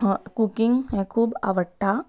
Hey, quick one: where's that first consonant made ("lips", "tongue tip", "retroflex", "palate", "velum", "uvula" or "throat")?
velum